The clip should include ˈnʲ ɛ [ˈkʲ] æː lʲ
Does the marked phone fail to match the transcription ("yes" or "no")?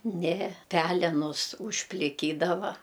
yes